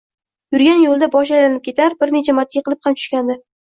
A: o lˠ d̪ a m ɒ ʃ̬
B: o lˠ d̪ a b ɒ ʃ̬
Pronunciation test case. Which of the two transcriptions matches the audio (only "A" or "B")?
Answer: B